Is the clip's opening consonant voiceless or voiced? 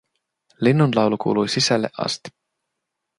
voiced